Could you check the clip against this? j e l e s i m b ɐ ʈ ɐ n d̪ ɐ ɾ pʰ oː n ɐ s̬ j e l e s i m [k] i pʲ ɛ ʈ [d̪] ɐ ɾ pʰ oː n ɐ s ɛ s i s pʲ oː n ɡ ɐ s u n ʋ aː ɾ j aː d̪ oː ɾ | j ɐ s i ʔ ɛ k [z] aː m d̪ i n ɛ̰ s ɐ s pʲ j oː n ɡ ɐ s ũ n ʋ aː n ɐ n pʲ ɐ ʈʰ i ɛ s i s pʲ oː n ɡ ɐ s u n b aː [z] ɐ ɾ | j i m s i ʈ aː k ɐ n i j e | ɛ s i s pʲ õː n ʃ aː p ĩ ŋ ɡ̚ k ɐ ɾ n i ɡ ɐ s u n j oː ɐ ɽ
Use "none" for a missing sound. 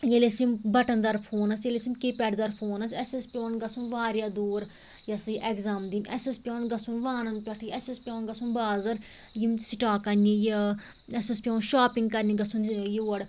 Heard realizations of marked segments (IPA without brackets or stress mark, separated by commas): k, d̪, z, z